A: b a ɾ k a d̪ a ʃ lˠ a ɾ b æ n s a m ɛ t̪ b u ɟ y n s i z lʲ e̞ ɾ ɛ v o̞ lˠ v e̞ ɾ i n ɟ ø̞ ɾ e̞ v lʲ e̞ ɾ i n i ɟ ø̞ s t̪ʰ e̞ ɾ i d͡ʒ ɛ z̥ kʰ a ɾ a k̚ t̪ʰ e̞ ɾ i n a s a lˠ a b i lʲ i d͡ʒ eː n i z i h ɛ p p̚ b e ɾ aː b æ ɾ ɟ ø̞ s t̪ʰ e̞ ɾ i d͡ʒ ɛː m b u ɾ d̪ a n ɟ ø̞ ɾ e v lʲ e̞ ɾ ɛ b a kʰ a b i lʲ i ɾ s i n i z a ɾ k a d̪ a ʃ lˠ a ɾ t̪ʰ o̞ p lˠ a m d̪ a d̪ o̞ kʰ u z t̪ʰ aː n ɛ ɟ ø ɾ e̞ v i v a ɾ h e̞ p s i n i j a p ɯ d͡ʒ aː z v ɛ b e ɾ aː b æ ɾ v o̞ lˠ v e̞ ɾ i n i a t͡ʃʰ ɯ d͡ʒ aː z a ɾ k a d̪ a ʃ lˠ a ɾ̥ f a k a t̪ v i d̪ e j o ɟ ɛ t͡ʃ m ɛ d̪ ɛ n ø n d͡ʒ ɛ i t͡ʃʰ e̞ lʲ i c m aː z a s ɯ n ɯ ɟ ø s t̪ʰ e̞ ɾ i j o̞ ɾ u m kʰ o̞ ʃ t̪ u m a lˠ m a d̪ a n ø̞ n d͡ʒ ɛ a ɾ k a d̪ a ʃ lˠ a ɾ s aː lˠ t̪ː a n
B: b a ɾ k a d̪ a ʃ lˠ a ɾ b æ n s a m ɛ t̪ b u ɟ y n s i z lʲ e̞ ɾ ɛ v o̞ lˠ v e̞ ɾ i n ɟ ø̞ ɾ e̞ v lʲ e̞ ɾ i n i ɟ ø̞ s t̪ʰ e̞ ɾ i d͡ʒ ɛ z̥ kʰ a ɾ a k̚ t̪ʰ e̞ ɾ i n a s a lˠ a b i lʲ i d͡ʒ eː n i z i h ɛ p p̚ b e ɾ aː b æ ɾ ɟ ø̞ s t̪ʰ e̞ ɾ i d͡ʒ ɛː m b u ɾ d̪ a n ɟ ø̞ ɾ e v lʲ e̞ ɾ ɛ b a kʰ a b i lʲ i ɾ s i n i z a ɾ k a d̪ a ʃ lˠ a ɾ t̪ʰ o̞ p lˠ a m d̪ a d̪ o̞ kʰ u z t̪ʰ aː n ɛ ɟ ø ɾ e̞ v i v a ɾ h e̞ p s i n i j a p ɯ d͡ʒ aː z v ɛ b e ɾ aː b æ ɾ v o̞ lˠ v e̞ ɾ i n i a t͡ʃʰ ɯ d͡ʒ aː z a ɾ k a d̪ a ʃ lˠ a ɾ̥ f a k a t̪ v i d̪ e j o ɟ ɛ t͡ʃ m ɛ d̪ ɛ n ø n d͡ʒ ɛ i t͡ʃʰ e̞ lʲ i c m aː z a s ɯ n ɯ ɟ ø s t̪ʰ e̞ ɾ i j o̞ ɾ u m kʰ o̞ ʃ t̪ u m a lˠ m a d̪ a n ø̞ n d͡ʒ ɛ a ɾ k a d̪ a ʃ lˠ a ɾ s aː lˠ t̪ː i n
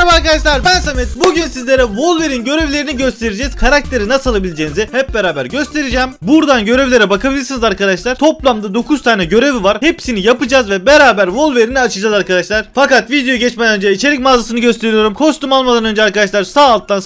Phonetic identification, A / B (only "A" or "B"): A